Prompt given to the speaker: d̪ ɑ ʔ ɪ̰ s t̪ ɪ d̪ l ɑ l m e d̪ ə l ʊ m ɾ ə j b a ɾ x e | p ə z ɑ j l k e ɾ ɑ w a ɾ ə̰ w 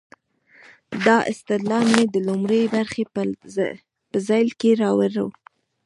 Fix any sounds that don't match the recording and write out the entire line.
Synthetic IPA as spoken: d̪ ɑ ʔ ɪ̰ s t̪ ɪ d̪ l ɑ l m e d̪ ə l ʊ m ɾ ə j b a ɾ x e | p ə z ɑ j l k e ɾ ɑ w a ɾ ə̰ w